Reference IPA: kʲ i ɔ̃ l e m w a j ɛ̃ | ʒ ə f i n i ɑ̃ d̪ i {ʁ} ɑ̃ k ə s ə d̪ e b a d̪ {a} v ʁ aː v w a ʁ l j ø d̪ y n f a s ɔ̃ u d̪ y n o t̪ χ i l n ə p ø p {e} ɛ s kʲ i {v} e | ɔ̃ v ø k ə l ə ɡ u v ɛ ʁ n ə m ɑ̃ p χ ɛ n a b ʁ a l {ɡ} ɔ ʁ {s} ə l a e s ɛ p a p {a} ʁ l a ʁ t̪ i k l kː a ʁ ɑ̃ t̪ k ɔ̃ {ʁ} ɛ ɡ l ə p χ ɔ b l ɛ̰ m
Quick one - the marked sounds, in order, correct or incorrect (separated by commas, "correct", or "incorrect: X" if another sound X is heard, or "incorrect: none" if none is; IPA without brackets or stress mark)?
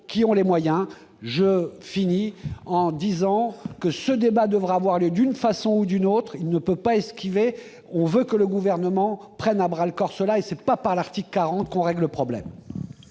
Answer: incorrect: z, incorrect: ə, incorrect: a, correct, incorrect: k, correct, correct, correct